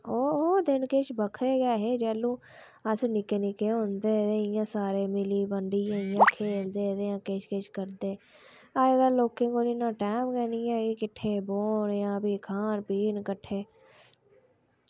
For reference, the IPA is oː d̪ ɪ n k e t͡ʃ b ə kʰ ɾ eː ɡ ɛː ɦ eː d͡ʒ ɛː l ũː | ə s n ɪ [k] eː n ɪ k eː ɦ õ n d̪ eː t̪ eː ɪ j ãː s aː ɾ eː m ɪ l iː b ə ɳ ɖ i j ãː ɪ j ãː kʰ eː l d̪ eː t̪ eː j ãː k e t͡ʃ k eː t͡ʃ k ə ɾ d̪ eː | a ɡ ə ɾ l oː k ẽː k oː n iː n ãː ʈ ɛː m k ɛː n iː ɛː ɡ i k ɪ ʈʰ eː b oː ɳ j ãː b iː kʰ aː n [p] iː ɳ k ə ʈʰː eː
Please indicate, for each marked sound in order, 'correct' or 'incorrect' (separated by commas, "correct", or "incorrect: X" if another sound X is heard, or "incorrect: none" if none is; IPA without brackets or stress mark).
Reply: correct, correct